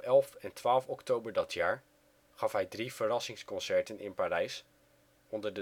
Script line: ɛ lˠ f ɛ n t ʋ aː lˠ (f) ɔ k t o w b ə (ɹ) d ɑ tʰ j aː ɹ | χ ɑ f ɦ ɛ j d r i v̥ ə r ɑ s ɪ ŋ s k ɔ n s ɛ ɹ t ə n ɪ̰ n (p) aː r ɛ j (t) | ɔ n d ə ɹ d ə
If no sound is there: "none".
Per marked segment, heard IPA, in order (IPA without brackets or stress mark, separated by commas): f, ɹ, p, s